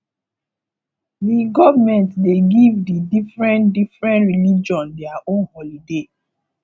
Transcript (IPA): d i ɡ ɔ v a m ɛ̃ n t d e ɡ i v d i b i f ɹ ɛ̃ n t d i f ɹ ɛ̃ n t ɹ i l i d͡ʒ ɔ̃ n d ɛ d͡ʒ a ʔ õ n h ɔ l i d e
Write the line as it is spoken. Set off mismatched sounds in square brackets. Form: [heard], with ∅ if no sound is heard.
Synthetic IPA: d i ɡ ɔ v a m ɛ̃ n t d e ɡ i v d i [d] i f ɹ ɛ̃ n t d i f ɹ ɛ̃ n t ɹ i l i d͡ʒ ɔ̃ n d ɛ [∅] a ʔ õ n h ɔ l i d e